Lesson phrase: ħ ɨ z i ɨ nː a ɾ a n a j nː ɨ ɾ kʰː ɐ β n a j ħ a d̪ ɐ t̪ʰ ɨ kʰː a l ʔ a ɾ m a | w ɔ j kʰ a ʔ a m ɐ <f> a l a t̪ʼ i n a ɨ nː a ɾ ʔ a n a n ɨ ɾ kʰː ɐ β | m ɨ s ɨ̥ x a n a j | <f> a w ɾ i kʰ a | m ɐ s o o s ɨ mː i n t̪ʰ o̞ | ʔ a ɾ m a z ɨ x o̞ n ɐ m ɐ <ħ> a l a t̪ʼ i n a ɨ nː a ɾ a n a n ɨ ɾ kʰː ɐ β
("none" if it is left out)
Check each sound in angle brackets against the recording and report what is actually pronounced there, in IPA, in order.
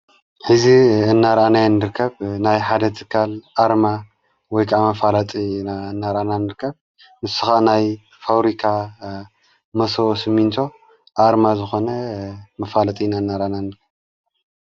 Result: f, f, f

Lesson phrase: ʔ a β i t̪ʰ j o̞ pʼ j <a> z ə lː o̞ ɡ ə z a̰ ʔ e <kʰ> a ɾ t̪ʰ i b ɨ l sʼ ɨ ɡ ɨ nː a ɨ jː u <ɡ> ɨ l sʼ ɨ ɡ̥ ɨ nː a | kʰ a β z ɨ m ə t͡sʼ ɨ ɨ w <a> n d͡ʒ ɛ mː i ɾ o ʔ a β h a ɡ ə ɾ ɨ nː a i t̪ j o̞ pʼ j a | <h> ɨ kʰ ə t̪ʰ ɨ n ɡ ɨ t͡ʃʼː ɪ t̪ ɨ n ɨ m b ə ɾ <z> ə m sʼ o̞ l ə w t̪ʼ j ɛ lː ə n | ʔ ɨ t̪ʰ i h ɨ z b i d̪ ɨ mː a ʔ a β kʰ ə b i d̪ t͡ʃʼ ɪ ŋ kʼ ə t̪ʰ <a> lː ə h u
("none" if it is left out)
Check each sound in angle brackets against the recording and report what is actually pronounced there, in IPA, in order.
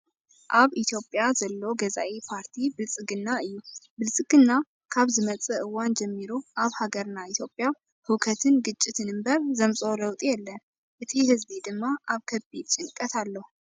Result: a, pʰ, b, a, h, z, a

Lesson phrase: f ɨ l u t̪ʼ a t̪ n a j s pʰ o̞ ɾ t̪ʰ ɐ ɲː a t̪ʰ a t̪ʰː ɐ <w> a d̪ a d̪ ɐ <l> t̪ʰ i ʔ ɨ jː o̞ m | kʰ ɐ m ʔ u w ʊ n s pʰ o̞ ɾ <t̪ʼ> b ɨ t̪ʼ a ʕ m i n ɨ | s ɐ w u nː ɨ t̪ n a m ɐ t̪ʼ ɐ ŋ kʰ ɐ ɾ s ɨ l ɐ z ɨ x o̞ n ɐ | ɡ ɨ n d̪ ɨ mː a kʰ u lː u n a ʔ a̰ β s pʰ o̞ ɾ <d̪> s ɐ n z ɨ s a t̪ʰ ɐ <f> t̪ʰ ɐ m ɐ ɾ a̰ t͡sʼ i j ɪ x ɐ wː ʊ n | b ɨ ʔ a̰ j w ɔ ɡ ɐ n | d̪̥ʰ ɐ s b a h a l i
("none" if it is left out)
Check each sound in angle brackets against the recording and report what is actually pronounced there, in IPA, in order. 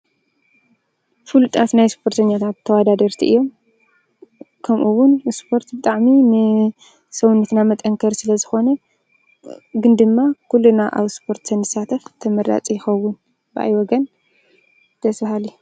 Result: w, ɾ, t̪, t̪, f

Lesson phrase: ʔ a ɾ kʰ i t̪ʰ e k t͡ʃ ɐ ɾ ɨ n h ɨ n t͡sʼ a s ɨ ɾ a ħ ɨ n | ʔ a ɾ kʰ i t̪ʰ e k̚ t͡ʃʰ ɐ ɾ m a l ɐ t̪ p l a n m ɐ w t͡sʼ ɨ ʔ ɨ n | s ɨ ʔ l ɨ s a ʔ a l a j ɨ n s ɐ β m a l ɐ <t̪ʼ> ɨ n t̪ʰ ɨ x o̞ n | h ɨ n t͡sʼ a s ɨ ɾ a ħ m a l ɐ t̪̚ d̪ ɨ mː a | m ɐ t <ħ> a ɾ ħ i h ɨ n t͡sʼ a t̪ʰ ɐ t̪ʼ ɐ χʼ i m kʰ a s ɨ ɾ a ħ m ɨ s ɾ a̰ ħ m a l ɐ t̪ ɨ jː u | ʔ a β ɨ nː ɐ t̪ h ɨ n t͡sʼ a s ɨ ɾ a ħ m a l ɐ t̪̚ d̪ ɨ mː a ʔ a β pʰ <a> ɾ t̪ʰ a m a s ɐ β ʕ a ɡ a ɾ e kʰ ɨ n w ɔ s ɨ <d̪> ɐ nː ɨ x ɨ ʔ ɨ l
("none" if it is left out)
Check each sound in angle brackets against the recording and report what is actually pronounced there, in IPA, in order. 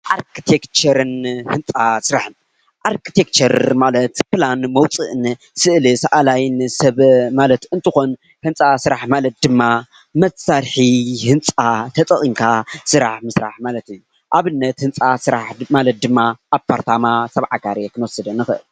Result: t̪, s, a, d̪

